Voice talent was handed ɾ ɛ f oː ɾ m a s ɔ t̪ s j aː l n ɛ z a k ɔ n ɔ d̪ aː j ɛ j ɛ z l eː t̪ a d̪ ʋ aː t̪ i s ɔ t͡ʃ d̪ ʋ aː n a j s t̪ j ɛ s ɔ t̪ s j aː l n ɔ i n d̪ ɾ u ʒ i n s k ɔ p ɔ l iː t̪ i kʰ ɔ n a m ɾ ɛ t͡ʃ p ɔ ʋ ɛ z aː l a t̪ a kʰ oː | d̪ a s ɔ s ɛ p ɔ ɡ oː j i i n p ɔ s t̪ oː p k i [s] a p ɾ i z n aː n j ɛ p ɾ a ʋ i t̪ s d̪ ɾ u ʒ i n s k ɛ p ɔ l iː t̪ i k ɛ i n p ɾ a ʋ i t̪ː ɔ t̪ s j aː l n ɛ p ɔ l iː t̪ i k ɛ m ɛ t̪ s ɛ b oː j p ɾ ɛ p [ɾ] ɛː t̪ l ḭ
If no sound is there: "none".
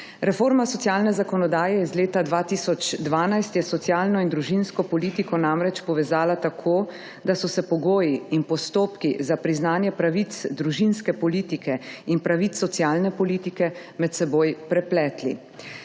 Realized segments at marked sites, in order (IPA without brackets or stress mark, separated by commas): z, l